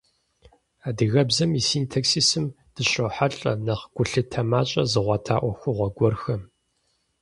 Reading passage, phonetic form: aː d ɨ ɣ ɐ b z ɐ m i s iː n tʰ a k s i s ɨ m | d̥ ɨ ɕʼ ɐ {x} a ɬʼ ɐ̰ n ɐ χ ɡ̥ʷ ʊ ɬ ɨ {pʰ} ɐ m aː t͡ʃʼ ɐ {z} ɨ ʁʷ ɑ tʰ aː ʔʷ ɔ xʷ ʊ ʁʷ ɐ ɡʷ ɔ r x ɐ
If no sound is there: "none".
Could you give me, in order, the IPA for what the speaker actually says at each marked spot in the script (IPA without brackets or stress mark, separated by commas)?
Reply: ħ, tʰ, z